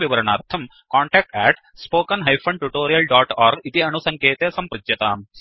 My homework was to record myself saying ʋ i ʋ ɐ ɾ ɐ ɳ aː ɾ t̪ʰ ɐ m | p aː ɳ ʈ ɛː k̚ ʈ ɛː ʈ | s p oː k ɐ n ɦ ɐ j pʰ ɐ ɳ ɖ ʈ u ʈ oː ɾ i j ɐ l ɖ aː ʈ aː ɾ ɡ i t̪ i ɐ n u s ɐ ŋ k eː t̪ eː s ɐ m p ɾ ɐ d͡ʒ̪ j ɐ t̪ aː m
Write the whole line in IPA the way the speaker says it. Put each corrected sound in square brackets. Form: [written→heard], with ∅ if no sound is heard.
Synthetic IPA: ʋ i ʋ ɐ ɾ ɐ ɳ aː ɾ t̪ʰ ɐ m | [p→k] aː ɳ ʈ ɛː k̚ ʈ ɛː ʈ | s p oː k ɐ n ɦ ɐ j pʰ ɐ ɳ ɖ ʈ u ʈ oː ɾ i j ɐ l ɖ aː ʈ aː ɾ ɡ i t̪ i ɐ n u s ɐ ŋ k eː t̪ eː s ɐ m p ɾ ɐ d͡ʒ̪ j ɐ t̪ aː m